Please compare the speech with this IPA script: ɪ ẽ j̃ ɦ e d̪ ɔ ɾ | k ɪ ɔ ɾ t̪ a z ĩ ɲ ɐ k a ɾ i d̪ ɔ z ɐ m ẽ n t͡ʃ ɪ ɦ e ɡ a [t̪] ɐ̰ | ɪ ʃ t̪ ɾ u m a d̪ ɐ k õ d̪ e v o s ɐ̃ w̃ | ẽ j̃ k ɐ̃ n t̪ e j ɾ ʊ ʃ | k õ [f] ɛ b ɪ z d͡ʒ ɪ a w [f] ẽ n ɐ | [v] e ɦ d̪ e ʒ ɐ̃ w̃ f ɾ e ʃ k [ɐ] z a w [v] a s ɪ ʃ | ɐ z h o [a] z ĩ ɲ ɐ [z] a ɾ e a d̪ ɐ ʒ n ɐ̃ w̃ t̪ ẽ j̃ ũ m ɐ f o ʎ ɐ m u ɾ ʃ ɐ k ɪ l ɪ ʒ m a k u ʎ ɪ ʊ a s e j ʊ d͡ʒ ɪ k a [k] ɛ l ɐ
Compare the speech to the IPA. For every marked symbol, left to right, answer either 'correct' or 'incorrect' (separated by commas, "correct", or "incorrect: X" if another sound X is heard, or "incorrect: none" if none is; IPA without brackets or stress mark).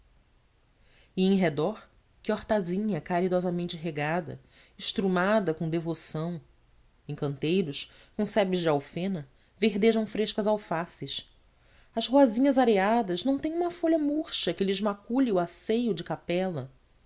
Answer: incorrect: d̪, incorrect: s, correct, correct, correct, incorrect: f, correct, correct, incorrect: p